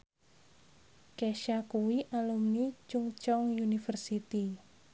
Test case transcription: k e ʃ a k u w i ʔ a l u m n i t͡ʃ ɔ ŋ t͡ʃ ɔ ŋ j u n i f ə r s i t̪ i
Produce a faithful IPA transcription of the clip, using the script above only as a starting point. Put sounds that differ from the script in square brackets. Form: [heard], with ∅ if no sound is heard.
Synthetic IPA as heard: k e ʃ a k u w i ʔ a l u m n i t͡ʃ [u] ŋ t͡ʃ ɔ ŋ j u n i f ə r s i t̪ i